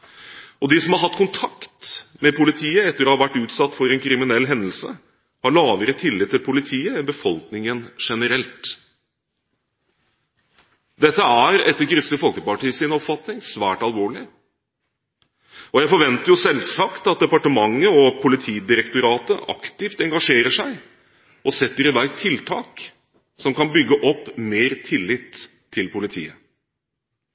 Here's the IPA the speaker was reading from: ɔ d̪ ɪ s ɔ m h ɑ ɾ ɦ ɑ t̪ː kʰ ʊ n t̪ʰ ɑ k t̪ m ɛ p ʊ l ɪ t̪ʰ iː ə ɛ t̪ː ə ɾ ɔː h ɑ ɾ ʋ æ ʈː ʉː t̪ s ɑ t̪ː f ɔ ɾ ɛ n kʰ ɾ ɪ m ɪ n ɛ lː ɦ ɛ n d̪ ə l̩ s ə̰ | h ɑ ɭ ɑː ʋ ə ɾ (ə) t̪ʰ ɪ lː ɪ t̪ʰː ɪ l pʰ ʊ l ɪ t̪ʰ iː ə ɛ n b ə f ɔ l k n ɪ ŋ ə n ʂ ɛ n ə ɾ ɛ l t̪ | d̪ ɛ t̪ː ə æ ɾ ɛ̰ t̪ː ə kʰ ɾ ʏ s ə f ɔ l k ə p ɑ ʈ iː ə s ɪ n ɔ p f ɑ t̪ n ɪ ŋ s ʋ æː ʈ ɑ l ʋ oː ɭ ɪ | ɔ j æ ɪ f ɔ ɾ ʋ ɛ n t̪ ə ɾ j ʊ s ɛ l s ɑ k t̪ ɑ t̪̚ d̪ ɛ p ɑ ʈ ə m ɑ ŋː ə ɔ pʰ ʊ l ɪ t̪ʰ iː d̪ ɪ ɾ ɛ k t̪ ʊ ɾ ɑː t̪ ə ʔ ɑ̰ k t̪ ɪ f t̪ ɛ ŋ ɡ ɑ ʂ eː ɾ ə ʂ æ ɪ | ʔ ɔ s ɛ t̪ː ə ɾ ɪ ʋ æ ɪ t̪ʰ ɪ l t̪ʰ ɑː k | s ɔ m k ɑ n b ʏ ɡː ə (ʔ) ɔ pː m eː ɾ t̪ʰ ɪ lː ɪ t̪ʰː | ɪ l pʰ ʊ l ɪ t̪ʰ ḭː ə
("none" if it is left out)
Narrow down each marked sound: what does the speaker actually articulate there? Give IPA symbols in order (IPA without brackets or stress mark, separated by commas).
ə, ʔ